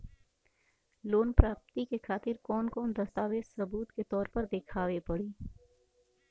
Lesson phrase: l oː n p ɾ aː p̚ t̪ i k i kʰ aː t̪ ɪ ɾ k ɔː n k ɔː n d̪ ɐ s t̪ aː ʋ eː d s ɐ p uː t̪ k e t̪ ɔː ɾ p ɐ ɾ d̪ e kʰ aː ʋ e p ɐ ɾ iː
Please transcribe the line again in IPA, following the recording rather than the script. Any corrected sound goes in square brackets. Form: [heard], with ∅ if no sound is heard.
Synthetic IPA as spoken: l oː n p ɾ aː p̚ t̪ i k [e] kʰ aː t̪ ɪ ɾ k ɔː n k ɔː n d̪ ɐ s t̪ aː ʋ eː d s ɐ [b] uː t̪ k e t̪ ɔː ɾ p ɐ ɾ d̪ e kʰ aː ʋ e p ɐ [ɽ] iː